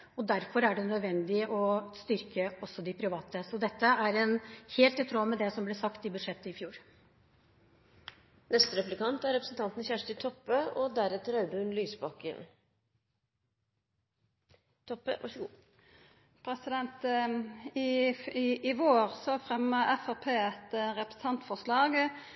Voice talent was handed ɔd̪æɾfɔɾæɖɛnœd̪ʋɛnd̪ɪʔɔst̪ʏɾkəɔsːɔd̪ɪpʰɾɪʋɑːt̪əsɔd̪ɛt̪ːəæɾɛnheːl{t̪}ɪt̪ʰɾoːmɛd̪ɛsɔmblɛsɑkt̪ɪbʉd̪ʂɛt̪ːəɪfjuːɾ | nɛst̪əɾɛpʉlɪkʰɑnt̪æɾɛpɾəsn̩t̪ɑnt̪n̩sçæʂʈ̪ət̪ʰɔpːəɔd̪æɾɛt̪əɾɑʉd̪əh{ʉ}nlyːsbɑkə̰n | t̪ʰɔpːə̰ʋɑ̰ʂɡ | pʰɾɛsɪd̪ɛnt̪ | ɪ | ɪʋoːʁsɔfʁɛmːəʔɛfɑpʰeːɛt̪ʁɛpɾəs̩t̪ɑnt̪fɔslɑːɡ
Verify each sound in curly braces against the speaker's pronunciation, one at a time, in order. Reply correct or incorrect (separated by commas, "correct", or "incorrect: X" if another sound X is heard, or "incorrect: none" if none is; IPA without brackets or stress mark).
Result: correct, correct